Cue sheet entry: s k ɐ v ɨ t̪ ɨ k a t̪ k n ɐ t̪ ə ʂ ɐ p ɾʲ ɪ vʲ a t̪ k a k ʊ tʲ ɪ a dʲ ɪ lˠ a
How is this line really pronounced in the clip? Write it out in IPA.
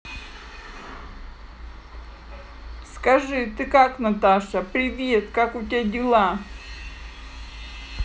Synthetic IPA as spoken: s k ɐ ʐ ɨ t̪ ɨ k a k n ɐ t̪ a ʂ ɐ p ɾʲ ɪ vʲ e t̪ k a k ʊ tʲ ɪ a dʲ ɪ lˠ a